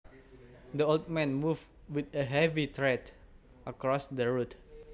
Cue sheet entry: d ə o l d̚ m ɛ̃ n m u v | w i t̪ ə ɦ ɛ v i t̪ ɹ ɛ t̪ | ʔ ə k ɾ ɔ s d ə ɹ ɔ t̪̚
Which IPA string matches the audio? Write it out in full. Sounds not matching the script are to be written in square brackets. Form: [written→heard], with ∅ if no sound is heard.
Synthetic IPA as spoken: d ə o l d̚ m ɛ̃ n m u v | w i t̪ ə ɦ ɛ v i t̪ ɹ ɛ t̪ | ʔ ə k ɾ ɔ s d ə ɹ [ɔ→u] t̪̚